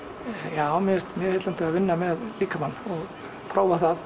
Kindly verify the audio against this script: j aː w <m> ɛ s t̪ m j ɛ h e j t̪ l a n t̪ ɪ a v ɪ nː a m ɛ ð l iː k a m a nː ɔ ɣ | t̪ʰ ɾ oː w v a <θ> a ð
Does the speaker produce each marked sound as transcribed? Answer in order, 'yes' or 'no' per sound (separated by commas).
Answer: yes, yes